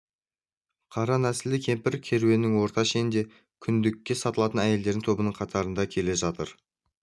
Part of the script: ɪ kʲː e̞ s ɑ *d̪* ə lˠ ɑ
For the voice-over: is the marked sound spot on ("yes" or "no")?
no